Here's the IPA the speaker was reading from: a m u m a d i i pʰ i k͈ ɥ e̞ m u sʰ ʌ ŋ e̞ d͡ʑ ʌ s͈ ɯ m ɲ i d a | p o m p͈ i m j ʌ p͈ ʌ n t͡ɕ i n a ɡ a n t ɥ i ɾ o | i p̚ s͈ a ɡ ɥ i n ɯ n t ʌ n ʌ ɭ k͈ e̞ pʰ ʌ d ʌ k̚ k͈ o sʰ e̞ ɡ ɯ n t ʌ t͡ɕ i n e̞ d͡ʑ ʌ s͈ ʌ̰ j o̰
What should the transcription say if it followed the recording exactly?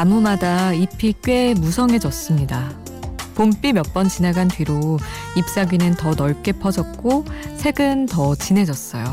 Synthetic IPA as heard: a m u m a d a i pʰ i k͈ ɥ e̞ m u sʰ ʌ ŋ e̞ d͡ʑ ʌ s͈ ɯ m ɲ i d a | p o m p͈ i m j ʌ p͈ ʌ n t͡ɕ i n a ɡ a n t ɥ i ɾ o | i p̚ s͈ a ɡ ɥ i n ɯ n t ʌ n ʌ ɭ k͈ e̞ pʰ ʌ d͡ʑ ʌ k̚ k͈ o sʰ e̞ ɡ ɯ n t ʌ t͡ɕ i n e̞ d͡ʑ ʌ s͈ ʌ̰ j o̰